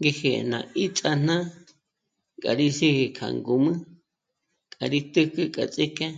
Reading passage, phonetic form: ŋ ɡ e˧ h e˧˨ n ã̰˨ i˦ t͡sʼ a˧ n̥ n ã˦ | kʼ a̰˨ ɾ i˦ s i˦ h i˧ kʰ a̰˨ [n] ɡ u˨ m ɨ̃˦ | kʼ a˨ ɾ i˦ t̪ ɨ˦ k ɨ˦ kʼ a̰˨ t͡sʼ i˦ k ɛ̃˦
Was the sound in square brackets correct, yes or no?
no